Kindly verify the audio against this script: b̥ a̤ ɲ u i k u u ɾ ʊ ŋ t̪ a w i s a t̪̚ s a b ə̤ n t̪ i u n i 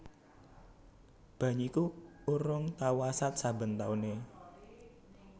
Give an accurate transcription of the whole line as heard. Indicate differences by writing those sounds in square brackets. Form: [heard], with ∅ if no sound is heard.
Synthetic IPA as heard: b̥ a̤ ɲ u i k u u ɾ ʊ ŋ t̪ a w [a] s a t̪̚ s a b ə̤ n t̪ [a] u n [e]